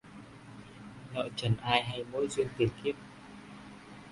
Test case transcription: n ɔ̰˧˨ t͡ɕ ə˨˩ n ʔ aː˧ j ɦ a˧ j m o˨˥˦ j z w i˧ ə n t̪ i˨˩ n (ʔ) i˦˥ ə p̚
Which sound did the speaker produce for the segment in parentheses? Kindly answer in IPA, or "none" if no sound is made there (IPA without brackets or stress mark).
k